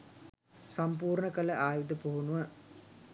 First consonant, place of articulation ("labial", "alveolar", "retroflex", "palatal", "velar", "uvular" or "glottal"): alveolar